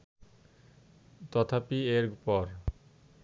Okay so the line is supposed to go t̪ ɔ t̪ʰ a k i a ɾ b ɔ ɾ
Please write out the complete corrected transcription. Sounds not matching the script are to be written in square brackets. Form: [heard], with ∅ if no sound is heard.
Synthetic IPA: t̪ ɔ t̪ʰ a [p] i [e] ɾ [p] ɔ ɾ